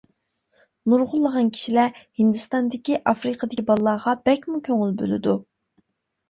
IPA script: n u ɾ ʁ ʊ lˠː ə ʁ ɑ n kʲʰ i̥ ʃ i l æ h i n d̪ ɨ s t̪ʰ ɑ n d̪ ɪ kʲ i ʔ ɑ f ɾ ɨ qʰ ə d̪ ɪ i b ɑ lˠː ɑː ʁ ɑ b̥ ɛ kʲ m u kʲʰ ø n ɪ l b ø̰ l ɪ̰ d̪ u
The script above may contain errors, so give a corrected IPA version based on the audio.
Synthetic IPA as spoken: n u ɾ ʁ ʊ lˠː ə ʁ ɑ n kʲʰ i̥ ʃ i l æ h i n d̪ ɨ s t̪ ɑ n d̪ ɪ kʲ i ʔ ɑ f ɾ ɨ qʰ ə d̪ ɪ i b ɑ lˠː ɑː ʁ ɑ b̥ ɛ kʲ m u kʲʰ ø ŋ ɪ l b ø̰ l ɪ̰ d̪ u